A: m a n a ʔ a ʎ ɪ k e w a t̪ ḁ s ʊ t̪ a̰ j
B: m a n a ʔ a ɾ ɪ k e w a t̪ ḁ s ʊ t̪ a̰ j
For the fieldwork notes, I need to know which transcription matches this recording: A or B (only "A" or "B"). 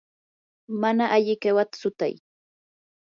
A